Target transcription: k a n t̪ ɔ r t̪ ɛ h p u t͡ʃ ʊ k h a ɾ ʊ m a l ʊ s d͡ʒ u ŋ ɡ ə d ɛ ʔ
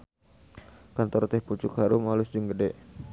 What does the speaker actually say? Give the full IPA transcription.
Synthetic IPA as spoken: k a n t̪ ɔ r t̪ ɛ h p u t͡ʃ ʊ k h a ɾ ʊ m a l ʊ s d͡ʒ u ŋ ɡ ə d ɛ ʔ